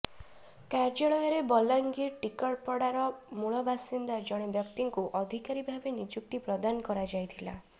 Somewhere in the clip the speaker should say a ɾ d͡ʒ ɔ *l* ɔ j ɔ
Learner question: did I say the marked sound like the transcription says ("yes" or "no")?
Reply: no